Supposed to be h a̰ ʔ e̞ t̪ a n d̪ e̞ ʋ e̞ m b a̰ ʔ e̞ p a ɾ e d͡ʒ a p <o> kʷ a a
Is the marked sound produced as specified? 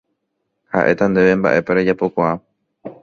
yes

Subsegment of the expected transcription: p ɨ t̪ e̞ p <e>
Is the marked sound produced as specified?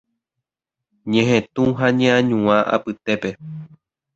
yes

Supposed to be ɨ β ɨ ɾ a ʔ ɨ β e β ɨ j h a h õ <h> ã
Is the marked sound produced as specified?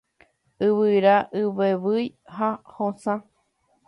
no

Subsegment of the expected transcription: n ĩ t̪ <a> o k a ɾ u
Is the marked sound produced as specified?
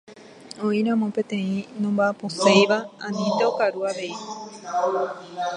no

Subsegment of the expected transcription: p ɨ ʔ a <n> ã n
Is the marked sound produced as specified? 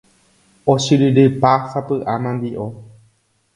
no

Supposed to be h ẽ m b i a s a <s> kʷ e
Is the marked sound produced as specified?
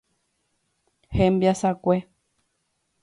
no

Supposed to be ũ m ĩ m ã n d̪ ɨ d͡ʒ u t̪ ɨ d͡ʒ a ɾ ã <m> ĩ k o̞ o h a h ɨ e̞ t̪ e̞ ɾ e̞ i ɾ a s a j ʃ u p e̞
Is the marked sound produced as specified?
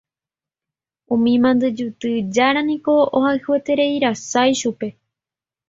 no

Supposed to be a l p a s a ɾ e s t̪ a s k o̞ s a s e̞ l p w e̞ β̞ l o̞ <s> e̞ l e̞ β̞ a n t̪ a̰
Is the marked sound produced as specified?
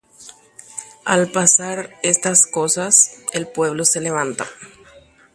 yes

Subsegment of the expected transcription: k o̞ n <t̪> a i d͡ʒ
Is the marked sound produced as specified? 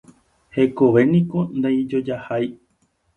no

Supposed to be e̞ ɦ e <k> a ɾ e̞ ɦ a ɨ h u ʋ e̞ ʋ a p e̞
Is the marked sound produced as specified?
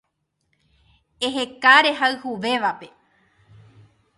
yes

